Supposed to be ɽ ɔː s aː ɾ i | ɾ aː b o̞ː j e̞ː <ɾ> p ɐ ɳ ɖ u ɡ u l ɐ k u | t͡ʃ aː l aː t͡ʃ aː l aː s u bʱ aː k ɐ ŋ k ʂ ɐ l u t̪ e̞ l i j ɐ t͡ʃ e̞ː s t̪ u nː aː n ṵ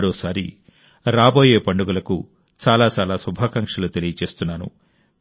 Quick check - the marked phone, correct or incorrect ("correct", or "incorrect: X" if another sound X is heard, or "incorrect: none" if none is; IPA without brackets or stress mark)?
incorrect: none